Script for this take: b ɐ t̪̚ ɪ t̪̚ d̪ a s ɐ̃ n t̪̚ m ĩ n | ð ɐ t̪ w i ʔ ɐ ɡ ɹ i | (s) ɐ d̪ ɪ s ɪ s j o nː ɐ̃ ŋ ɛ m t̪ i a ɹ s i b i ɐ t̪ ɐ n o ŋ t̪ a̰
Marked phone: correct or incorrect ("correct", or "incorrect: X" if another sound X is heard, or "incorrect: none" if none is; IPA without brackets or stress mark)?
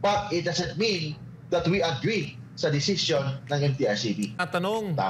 correct